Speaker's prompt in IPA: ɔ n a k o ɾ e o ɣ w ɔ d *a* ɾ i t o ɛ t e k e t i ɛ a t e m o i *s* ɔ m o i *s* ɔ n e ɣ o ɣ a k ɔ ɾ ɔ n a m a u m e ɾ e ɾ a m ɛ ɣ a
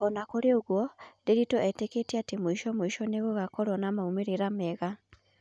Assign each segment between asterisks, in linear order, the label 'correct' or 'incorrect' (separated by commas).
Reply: incorrect, incorrect, incorrect